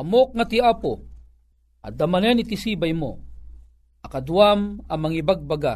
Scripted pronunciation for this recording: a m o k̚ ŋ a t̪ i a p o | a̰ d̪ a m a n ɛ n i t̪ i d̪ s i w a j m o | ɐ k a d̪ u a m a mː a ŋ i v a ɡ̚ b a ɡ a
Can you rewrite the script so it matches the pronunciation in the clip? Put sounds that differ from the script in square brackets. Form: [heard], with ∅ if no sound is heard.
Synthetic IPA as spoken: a m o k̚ ŋ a t̪ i a p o | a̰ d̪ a m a n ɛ n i t̪ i [∅] s i [b] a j m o | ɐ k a d̪ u a m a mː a ŋ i [b] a ɡ̚ b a ɡ a